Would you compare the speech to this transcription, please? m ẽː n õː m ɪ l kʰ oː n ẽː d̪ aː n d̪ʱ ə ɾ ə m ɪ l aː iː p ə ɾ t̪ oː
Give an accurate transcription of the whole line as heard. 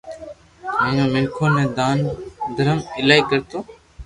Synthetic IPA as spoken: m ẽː n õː m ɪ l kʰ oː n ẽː d̪ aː n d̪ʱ ə ɾ ə m ɪ l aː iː k ə ɾ t̪ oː